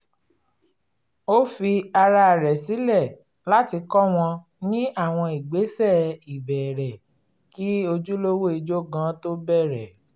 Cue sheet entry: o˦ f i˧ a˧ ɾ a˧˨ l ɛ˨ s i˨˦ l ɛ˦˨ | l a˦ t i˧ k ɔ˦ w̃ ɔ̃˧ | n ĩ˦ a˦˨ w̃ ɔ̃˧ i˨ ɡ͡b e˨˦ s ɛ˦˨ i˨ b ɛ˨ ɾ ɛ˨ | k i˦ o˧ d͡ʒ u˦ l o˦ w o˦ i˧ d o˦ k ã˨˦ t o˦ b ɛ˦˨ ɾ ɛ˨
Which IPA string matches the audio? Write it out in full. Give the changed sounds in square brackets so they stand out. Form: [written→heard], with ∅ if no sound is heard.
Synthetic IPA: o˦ f i˧ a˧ ɾ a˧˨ [l→ɾ] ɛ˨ s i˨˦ l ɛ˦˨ | l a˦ t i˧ k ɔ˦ w̃ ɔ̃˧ | n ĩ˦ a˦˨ w̃ ɔ̃˧ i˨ ɡ͡b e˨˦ s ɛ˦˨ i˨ b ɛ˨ ɾ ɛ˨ | k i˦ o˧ d͡ʒ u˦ l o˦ w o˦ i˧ [d→d͡ʒ] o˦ [k→ɡ] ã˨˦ t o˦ b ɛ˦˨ ɾ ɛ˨